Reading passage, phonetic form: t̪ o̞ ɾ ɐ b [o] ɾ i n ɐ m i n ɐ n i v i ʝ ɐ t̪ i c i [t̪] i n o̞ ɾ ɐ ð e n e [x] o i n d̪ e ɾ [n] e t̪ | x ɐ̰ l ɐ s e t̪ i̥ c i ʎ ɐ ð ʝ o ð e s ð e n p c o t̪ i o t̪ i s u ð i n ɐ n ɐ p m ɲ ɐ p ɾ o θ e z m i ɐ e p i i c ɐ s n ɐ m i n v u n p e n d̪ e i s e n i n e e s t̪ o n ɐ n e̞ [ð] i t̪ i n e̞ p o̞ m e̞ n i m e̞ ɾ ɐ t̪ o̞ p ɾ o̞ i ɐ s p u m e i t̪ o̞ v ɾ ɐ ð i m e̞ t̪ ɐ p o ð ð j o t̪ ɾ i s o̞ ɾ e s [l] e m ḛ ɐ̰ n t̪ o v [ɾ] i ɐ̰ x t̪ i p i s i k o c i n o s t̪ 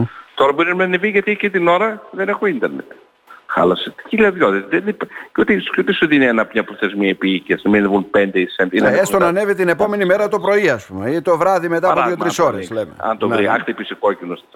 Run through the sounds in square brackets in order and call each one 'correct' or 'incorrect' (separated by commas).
correct, correct, correct, correct, incorrect, correct, correct